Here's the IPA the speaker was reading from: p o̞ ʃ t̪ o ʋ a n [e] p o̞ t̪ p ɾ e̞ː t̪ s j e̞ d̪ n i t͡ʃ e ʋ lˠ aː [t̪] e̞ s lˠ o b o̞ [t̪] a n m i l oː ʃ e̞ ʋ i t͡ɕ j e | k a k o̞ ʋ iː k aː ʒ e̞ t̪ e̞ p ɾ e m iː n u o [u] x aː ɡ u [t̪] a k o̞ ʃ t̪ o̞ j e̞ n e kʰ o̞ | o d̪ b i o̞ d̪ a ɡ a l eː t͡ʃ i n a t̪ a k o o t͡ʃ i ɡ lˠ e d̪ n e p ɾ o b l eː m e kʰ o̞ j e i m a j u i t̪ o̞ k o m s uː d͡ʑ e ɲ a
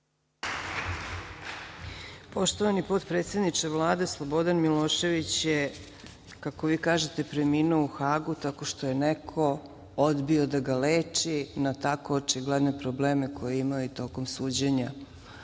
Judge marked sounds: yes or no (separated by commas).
no, no, no, yes, yes